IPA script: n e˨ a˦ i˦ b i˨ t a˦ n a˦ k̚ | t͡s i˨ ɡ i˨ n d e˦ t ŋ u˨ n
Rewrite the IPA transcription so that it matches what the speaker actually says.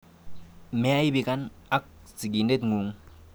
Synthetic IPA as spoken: m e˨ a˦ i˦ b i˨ k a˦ n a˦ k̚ | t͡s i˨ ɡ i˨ n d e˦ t ŋ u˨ ŋ

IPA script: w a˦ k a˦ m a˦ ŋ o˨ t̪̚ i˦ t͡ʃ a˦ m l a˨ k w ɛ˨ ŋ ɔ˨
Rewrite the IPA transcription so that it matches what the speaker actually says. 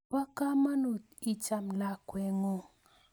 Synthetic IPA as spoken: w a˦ k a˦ m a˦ n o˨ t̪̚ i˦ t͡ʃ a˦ m l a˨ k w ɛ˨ ŋ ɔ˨

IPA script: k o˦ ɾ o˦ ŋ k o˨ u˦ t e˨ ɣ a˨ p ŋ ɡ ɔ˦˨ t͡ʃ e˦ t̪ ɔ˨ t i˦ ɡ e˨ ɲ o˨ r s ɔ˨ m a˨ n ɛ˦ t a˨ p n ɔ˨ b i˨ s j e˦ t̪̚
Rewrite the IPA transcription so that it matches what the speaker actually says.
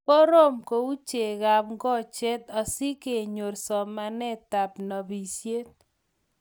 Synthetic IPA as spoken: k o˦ ɾ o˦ m k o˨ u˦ t͡ʃ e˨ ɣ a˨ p ŋ ɡ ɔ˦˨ t͡ʃ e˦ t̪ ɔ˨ s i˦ k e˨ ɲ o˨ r s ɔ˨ m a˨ n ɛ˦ t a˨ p n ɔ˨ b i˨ s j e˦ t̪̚

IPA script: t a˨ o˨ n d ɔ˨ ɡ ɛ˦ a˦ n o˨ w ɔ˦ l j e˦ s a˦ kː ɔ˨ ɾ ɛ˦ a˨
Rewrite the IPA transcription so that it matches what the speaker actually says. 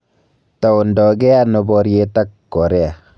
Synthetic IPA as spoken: t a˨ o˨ n d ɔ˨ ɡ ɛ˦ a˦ n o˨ b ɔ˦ ɾ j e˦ t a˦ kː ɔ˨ ɾ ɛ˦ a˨

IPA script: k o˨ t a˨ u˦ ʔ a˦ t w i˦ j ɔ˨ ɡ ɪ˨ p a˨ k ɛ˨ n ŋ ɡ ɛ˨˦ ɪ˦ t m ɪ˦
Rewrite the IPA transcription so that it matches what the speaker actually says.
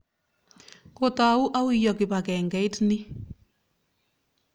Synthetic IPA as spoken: k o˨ t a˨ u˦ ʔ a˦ w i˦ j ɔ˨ k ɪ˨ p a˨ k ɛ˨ ŋ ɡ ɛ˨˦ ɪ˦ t n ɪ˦

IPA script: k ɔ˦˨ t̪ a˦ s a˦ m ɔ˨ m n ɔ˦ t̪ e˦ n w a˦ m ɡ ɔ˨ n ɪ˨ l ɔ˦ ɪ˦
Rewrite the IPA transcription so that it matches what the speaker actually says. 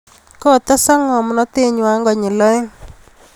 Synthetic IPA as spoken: k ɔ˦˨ t̪ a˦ s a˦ ŋ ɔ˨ m n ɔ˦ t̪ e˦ ɲ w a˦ ŋ ɡ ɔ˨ ɲ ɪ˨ l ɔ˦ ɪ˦

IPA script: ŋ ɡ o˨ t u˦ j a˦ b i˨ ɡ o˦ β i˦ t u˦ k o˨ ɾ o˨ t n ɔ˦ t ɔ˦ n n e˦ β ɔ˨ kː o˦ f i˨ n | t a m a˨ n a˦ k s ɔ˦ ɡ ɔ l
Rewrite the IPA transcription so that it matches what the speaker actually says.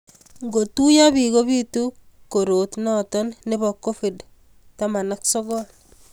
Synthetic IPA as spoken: ŋ ɡ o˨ t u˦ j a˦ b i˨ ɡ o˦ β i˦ t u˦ k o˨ ɾ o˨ t n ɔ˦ t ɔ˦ n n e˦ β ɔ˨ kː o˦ f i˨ d | t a m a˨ n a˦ k s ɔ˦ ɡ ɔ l

